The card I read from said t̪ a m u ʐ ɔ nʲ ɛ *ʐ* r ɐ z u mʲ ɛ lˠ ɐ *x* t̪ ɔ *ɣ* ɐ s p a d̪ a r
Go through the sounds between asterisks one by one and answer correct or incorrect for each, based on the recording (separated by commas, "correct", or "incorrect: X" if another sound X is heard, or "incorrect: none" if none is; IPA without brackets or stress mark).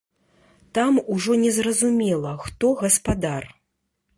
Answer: incorrect: z, correct, correct